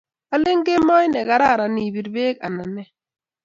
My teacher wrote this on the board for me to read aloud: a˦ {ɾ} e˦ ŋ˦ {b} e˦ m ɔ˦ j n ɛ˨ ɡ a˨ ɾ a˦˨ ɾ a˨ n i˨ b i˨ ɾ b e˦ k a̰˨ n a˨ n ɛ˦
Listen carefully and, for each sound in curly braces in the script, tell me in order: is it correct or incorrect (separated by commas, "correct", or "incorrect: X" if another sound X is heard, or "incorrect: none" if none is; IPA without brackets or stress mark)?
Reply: incorrect: l, incorrect: ɡ